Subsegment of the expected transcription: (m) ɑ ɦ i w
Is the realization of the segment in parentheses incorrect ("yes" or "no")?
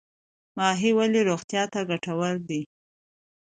no